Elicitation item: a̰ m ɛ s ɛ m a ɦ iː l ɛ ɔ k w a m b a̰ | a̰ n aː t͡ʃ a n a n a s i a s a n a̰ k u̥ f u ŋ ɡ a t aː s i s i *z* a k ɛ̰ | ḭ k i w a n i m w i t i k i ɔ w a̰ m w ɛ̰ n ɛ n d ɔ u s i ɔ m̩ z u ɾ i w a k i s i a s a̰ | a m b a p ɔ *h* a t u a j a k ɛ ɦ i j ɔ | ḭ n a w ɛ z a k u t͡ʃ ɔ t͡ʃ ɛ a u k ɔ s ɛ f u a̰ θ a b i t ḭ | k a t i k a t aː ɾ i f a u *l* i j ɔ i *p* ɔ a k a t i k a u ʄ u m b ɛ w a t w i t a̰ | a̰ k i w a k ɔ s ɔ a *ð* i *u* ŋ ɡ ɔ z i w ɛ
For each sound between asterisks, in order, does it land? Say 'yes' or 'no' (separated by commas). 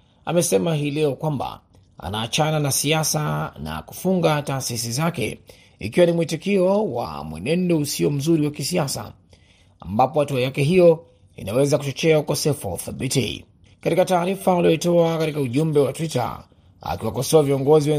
yes, yes, yes, no, no, no